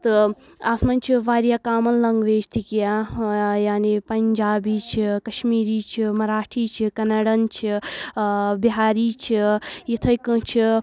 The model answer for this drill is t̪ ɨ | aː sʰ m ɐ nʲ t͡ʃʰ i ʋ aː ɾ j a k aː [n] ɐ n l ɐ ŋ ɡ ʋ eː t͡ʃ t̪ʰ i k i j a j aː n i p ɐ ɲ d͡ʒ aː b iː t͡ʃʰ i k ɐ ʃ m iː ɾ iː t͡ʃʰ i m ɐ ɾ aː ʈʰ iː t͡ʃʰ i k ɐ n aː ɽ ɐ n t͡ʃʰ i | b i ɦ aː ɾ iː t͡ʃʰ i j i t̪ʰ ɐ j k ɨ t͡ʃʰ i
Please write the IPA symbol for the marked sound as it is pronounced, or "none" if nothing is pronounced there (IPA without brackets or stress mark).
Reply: m